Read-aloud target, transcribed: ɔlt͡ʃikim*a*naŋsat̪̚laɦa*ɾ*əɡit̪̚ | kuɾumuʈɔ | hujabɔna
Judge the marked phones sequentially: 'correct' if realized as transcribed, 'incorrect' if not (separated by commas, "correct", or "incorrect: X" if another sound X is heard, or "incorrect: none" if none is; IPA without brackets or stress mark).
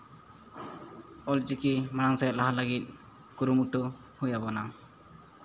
correct, incorrect: l